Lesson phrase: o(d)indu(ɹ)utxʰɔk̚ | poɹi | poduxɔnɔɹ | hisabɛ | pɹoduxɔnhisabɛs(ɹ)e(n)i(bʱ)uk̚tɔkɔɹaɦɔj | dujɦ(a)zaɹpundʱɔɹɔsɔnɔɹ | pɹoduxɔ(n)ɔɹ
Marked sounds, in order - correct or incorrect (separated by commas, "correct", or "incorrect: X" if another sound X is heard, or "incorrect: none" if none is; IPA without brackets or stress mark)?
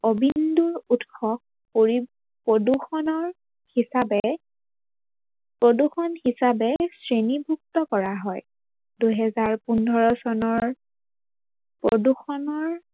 incorrect: b, correct, correct, correct, correct, incorrect: ɛ, correct